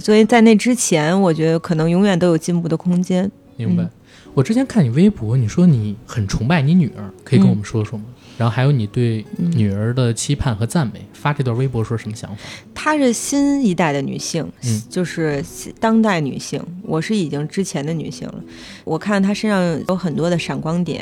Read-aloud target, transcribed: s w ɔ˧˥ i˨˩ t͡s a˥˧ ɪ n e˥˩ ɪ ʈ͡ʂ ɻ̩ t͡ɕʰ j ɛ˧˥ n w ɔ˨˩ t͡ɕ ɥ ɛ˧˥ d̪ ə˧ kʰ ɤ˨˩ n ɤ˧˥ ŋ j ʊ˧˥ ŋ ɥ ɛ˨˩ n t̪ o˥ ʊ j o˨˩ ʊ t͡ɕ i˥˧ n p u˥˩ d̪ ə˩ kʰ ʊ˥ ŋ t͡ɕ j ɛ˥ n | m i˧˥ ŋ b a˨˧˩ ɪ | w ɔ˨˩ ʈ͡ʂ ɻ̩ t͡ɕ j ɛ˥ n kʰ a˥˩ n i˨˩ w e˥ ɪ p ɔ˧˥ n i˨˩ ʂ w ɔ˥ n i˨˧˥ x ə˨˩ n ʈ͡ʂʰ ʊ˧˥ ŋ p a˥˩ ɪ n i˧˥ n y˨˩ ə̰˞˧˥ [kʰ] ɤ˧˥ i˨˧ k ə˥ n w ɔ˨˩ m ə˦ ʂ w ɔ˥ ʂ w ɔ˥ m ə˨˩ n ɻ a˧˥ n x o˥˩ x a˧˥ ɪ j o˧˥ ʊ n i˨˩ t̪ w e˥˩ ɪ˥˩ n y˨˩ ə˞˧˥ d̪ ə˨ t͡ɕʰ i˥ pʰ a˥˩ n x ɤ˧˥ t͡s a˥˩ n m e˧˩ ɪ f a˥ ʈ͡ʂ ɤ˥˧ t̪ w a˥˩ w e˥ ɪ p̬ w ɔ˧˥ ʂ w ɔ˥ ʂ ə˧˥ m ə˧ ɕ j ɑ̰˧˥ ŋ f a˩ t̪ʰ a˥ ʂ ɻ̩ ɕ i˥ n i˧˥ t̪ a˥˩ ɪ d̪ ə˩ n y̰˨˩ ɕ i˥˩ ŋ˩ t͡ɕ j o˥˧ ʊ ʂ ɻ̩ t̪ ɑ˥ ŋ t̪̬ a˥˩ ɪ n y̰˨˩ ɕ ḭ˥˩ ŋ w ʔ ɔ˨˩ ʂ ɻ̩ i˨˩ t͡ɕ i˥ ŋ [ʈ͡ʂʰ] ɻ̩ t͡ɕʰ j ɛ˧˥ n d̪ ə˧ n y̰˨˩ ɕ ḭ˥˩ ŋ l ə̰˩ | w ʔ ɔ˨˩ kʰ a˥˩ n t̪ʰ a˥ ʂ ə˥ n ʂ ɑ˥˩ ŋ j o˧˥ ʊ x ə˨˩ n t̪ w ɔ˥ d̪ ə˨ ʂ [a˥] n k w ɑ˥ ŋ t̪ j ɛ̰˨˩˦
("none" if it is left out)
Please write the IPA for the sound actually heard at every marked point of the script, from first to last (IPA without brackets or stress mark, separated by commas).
kʰ, ʈ͡ʂ, a˨˩